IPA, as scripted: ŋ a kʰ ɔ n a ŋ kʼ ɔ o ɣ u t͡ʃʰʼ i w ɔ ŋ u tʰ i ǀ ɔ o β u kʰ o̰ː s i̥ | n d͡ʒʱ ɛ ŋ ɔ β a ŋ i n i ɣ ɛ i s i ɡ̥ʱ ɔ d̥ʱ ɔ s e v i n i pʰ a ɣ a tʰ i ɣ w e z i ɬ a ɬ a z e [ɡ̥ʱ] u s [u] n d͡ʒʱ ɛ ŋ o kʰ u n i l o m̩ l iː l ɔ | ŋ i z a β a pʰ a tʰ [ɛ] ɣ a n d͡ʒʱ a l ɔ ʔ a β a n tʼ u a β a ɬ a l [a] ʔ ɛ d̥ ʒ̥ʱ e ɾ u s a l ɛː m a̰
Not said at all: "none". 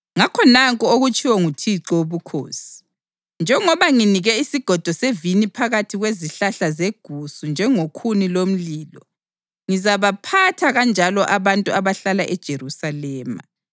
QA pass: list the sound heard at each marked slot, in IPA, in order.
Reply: ɡ̥ʱ, u, a, a

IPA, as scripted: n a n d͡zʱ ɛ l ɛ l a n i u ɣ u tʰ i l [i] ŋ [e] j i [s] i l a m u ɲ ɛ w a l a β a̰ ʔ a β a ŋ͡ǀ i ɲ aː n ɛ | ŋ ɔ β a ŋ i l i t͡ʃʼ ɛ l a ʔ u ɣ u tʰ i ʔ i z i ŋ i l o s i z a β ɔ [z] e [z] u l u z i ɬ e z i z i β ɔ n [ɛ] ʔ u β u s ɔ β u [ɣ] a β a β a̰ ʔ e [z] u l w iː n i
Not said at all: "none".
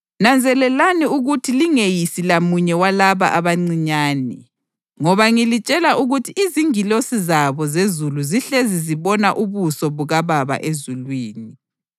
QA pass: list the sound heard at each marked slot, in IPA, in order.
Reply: i, e, s, z, z, a, ɣ, z

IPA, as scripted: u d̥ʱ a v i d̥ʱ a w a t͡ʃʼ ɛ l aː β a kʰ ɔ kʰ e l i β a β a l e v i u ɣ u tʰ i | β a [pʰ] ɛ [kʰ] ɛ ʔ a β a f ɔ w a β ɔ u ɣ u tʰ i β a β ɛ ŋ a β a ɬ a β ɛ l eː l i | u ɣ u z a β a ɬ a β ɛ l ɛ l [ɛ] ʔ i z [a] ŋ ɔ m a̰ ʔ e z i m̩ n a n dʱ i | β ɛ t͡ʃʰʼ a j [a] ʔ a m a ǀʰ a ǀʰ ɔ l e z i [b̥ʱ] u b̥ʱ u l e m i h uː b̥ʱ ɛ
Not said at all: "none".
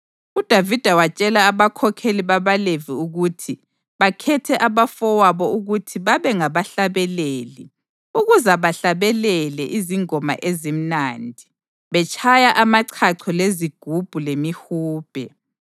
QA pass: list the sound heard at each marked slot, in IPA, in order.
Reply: kʰ, tʰ, ɛ, i, a, ɡ̥ʱ

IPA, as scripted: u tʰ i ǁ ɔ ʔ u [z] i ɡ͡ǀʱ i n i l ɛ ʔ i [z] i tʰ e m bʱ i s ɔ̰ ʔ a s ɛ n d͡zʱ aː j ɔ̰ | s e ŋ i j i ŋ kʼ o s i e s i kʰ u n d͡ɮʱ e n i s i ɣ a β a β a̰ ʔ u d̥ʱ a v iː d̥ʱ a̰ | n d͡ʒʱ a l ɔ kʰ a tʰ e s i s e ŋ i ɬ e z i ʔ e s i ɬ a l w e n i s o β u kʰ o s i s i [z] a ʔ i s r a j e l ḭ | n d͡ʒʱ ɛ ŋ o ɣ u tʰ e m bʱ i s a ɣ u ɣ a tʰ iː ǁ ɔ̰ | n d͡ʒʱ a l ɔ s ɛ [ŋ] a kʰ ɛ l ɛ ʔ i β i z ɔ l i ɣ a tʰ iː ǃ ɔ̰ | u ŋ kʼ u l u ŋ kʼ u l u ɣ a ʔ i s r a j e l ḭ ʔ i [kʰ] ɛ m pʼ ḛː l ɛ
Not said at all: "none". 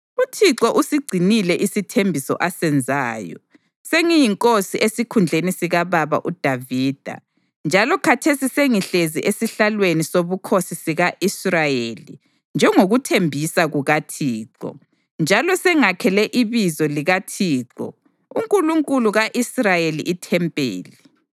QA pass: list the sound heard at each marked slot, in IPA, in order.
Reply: s, s, ɣ, ŋ, tʰ

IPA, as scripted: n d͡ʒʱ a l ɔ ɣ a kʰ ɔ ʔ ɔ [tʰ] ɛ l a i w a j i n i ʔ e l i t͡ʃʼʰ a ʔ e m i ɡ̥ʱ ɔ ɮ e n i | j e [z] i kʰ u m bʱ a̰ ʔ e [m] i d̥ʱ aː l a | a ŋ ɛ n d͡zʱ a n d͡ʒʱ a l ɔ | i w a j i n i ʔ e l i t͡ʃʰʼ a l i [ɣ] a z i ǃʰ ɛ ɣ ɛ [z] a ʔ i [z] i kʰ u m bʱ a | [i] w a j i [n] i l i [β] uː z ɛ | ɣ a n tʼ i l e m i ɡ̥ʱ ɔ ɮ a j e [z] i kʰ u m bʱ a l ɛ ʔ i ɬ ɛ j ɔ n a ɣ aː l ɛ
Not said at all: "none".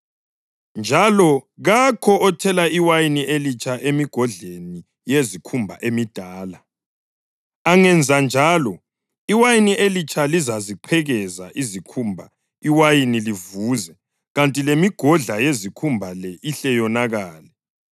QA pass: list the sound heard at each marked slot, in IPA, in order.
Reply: tʰ, z, m, z, z, z, i, n, v, z

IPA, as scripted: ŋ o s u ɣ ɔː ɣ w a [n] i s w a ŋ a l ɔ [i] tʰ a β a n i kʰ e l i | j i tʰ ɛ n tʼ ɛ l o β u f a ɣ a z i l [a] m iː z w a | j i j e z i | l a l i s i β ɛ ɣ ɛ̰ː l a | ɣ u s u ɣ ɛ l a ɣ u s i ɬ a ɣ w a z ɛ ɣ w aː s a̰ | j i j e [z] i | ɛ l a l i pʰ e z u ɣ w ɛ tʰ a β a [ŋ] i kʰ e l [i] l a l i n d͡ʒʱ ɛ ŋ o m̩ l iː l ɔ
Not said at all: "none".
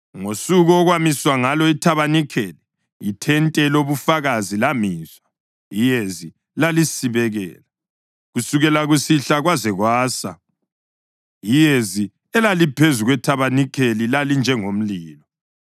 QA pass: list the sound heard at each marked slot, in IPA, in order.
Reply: m, i, a, z, n, i

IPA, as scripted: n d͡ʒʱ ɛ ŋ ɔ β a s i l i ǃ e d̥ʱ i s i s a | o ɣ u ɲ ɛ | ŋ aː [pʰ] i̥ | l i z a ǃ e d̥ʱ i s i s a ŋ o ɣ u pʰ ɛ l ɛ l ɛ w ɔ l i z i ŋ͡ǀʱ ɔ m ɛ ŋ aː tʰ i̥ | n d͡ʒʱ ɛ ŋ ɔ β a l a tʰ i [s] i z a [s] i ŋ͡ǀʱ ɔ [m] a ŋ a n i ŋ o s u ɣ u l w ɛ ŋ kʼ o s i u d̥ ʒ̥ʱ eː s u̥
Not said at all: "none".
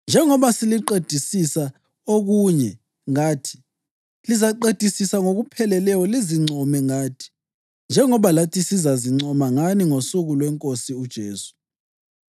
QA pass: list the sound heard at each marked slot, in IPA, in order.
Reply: tʰ, s, z, m

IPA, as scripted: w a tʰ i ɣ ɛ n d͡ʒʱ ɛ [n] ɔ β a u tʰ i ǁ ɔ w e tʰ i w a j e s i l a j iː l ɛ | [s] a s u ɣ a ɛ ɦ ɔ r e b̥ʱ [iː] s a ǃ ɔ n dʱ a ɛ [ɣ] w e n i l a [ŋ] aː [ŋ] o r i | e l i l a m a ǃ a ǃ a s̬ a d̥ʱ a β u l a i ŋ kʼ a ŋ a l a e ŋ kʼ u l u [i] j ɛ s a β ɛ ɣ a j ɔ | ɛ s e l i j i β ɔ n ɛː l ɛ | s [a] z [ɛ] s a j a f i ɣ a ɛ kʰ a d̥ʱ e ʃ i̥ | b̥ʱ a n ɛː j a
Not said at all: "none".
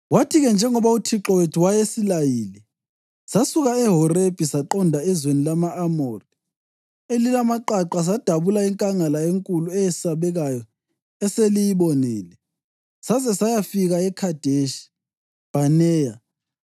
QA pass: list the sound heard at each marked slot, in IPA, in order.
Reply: ŋ, s, i, z, m, m, ɛ, a, ɛ

